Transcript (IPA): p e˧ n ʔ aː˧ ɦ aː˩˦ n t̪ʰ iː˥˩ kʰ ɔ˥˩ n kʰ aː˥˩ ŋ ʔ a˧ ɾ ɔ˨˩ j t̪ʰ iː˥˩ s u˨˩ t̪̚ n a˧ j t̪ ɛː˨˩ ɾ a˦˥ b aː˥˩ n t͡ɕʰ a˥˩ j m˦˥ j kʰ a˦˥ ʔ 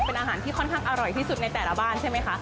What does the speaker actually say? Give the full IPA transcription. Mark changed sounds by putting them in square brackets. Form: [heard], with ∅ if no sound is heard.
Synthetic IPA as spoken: p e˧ n ʔ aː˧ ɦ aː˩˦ n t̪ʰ iː˥˩ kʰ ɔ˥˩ n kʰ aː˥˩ ŋ ʔ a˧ ɾ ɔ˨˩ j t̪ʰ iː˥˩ s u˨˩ t̪̚ n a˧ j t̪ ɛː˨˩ [l] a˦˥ b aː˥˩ n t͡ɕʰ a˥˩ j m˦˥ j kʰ a˦˥ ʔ